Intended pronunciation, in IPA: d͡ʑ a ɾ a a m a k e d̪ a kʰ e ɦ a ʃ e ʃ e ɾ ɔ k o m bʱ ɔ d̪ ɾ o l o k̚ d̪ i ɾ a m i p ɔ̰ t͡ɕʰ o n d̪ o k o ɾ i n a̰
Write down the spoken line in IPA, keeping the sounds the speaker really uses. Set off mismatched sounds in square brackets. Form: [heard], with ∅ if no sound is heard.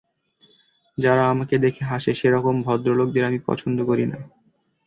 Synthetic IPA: d͡ʑ a ɾ a a m a k e d̪ [e] kʰ e ɦ a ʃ e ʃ e ɾ ɔ k o m bʱ ɔ d̪ ɾ o l o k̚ d̪ [e] ɾ a m i p ɔ̰ t͡ɕʰ o n d̪ o k o ɾ i n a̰